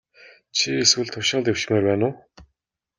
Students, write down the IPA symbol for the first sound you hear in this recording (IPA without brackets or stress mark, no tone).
t͡ɕʰ